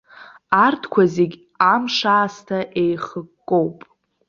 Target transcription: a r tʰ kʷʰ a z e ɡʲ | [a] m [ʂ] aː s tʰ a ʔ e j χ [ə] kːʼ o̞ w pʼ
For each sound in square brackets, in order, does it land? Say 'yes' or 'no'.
yes, yes, yes

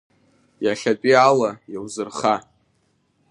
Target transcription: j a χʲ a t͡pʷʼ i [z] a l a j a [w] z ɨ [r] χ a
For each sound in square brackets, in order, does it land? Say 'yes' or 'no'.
no, yes, yes

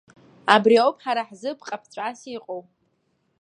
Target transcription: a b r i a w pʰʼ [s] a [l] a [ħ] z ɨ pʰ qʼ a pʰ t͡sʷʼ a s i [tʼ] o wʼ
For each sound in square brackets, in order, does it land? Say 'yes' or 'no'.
no, no, yes, no

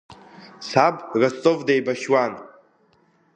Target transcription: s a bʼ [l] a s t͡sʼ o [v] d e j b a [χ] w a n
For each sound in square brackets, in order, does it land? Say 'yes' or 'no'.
no, yes, no

